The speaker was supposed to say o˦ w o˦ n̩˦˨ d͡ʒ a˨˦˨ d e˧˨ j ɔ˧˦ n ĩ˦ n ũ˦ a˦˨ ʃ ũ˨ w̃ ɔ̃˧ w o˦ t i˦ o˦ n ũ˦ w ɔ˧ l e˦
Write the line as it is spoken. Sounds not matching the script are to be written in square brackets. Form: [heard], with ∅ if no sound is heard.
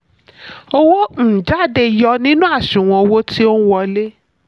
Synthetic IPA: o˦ w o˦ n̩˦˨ d͡ʒ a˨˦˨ d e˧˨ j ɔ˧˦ n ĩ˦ n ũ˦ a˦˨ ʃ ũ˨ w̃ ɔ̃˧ w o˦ t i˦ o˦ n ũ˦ w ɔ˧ l e˦